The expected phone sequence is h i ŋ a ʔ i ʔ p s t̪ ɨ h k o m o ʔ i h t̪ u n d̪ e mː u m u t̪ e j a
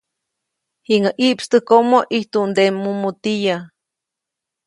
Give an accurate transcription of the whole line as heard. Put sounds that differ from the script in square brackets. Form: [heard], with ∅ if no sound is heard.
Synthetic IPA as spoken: h i ŋ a ʔ i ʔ p s t̪ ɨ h k o m o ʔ i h t̪ u n d̪ e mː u m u t̪ [i] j a